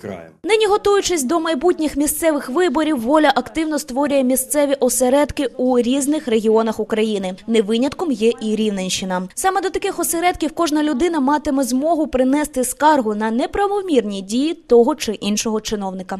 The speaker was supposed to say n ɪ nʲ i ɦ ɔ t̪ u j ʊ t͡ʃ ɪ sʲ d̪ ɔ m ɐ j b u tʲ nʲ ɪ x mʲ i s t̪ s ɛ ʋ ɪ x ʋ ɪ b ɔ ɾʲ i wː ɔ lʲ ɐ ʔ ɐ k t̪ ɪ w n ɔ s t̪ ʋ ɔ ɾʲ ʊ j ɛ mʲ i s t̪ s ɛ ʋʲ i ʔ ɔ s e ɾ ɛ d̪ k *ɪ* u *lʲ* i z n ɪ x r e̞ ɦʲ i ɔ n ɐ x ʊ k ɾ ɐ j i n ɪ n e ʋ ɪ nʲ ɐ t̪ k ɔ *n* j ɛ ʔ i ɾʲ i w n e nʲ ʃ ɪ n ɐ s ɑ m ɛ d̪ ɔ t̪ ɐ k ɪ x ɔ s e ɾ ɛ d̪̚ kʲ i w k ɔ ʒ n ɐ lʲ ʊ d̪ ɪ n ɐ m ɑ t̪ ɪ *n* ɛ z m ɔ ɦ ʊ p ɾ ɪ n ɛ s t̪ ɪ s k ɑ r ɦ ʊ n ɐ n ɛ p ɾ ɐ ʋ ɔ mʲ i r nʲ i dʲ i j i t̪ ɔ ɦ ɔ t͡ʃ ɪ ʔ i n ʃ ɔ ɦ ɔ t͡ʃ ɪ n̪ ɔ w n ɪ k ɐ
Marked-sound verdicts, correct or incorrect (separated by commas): correct, incorrect, incorrect, incorrect